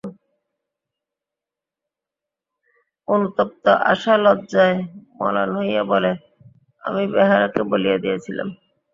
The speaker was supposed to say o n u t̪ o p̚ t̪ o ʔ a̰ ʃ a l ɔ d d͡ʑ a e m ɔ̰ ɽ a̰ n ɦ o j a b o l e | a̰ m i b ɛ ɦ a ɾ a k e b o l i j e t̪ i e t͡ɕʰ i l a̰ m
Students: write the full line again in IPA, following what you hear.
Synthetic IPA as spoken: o n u t̪ o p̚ t̪ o ʔ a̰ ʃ a l ɔ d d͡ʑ a e m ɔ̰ l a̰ n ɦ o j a b o l e | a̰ m i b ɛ ɦ a ɾ a k e b o l i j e d̪ i e t͡ɕʰ i l a̰ m